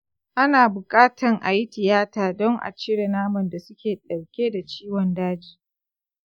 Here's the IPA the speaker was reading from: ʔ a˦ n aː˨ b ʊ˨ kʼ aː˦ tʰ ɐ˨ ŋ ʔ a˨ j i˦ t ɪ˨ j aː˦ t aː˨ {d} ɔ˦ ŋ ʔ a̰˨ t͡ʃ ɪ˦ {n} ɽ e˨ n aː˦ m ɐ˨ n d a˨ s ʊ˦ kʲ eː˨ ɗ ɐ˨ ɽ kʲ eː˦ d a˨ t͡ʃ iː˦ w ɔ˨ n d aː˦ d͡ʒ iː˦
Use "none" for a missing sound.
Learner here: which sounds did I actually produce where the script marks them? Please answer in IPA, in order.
d, none

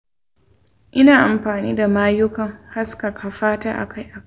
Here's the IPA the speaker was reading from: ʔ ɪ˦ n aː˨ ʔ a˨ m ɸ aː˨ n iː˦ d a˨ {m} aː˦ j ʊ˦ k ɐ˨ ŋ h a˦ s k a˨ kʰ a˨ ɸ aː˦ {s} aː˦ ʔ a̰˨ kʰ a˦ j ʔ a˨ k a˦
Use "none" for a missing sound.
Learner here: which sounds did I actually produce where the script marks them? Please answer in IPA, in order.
m, t

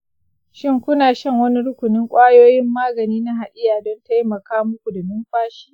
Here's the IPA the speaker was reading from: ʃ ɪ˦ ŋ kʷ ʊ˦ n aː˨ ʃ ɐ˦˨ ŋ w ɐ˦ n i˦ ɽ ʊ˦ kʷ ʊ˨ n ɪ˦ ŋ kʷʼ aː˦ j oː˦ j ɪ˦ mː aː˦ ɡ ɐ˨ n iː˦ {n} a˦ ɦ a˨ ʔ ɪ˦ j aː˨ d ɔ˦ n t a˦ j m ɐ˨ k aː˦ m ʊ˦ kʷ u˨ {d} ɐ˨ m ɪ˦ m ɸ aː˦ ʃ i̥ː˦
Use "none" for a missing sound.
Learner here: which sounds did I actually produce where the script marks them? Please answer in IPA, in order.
n, d

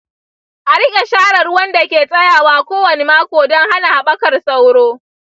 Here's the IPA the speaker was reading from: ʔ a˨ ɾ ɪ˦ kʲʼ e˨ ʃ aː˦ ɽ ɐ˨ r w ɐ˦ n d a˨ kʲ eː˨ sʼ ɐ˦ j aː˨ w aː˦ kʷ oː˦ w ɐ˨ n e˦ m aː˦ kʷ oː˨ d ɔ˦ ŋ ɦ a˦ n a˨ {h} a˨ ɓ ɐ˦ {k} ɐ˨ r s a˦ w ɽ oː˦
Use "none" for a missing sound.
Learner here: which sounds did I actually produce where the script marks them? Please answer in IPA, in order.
h, k

